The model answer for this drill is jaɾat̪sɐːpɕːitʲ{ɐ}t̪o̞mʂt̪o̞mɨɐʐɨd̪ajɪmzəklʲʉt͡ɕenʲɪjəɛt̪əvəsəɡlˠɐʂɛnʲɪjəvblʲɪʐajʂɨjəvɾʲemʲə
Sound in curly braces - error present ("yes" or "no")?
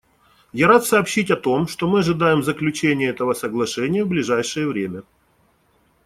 no